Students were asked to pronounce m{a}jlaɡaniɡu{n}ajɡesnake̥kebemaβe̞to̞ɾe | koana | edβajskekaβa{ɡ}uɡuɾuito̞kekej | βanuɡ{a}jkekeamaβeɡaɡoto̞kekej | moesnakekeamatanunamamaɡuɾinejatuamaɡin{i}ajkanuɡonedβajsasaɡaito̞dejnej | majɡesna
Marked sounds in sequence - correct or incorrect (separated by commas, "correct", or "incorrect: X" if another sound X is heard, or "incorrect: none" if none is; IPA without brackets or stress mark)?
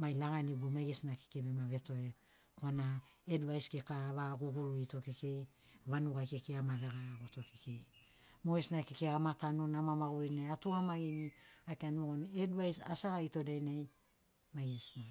correct, incorrect: m, correct, correct, correct